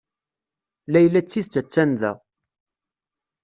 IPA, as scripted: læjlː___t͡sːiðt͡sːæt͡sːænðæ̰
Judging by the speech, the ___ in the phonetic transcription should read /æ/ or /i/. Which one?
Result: æ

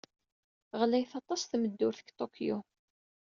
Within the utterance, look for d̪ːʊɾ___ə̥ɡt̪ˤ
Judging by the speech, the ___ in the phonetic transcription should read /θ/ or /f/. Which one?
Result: θ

